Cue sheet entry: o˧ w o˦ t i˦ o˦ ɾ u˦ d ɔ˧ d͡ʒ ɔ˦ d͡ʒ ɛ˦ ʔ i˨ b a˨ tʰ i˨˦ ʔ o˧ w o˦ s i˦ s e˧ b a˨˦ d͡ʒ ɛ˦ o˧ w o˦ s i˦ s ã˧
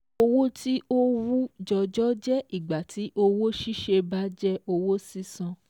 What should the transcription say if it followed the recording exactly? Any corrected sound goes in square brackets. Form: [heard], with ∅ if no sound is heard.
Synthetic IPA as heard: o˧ w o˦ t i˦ o˦ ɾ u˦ [d͡ʒ] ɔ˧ d͡ʒ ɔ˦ d͡ʒ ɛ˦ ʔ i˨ [ɡ͡b] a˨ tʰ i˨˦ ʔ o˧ w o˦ [ʃ] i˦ [ʃ] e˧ b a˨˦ d͡ʒ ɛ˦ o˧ w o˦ s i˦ s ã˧